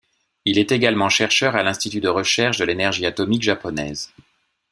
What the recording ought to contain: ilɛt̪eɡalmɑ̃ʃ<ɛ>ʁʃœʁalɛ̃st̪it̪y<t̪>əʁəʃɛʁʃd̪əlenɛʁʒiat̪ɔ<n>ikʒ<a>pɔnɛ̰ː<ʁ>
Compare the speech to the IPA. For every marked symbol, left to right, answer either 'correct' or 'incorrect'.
correct, incorrect: d̪, incorrect: m, correct, incorrect: z

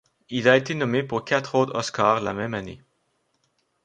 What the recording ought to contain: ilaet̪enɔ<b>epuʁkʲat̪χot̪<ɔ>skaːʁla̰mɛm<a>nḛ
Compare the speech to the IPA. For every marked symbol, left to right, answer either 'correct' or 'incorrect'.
incorrect: m, correct, correct

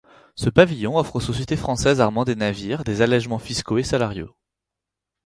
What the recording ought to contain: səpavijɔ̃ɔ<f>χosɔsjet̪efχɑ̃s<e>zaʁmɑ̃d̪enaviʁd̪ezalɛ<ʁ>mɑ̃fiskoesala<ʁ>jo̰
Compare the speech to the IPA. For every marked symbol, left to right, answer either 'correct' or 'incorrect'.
correct, incorrect: ɛ, incorrect: ʒ, correct

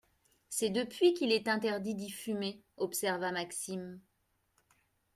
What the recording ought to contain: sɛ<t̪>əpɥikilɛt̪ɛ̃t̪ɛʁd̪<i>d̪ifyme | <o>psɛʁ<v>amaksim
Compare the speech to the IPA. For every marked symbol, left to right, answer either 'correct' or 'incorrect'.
incorrect: d̪, correct, incorrect: ɔ, correct

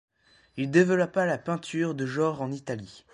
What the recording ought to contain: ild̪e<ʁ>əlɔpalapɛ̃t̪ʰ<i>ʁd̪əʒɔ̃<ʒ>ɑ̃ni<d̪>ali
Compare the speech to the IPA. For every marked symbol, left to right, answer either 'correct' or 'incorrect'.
incorrect: v, incorrect: y, incorrect: ʁ, incorrect: t̪

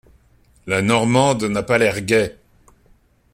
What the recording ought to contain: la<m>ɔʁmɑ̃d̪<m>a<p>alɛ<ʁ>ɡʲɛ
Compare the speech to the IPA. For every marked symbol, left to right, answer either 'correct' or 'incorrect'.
incorrect: n, incorrect: n, correct, correct

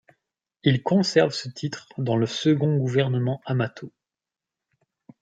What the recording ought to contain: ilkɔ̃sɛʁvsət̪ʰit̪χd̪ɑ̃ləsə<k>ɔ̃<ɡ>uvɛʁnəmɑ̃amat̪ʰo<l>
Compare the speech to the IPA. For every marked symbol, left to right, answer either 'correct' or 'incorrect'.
incorrect: ɡ, correct, incorrect: none

